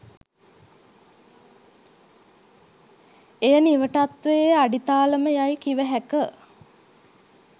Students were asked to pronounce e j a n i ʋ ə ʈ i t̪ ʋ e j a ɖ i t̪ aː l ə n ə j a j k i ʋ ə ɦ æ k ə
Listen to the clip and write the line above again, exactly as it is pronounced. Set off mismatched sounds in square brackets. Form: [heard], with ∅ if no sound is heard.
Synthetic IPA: e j [ə] n i ʋ ə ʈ [a] t̪ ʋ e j a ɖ i t̪ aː l ə [m] ə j a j k i ʋ ə ɦ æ k ə